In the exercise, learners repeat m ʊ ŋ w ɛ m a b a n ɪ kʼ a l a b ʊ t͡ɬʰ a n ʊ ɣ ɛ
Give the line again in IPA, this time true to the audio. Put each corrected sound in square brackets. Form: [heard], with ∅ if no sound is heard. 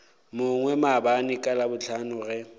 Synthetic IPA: m ʊ ŋ w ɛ m a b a n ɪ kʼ a l a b ʊ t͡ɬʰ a n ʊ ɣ ɛ